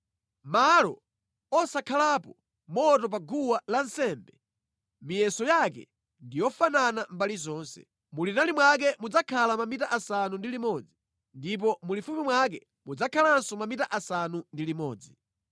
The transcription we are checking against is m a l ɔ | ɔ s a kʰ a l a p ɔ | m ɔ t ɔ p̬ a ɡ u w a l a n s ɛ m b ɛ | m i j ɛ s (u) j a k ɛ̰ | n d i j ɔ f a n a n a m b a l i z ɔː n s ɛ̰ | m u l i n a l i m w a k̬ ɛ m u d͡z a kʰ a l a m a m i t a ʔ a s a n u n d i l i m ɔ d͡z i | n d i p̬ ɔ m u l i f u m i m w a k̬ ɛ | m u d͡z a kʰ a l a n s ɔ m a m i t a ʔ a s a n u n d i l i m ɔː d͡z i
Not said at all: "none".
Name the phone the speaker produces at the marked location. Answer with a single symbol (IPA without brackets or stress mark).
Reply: ɔ